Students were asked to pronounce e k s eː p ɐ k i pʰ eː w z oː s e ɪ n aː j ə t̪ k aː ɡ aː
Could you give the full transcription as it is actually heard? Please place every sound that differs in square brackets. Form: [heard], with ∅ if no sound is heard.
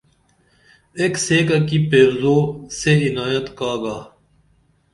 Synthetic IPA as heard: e k s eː [k] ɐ k i [p] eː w z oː s e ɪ n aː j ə t̪ k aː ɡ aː